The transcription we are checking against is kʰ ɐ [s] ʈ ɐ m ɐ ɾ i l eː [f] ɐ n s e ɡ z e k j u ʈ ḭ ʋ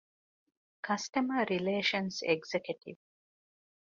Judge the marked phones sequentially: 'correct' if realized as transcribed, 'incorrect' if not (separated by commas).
correct, incorrect